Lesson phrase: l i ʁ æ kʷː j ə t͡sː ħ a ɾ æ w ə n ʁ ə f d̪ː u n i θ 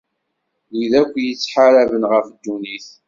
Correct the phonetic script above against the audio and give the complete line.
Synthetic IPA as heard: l i ð æ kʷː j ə t͡sː ħ a ɾ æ v ə n ʁ ə f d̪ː u n i θ